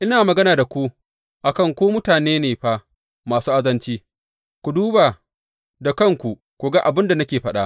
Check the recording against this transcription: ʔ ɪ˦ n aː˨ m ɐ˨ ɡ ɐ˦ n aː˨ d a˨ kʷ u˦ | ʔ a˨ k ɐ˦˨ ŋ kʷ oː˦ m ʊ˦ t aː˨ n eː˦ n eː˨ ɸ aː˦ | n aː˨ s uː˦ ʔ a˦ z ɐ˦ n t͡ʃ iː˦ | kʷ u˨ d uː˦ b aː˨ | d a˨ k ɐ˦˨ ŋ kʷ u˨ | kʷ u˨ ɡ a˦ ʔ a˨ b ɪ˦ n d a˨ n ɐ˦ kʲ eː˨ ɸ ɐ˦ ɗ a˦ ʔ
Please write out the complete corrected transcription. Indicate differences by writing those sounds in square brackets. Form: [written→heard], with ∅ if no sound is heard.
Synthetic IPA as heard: ʔ ɪ˦ n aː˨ m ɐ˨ ɡ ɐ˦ n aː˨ d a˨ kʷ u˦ | ʔ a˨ k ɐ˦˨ ŋ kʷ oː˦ m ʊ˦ t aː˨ n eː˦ n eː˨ ɸ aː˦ | [n→m] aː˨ s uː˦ ʔ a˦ z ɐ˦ n t͡ʃ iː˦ | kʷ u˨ d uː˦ b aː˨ | d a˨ k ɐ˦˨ ŋ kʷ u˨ | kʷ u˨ ɡ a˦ ʔ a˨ b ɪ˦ n d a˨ n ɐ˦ kʲ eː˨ ɸ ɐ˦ ɗ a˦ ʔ